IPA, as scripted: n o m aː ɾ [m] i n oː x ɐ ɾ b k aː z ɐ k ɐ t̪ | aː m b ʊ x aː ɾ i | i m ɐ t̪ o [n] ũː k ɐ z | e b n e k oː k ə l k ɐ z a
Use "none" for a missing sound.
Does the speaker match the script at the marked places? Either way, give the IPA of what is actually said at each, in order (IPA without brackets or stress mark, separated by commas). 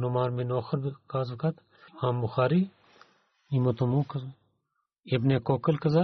m, m